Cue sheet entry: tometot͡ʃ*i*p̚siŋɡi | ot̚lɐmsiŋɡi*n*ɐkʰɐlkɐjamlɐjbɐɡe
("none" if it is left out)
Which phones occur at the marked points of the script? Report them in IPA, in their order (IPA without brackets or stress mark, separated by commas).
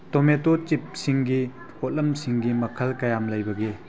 i, m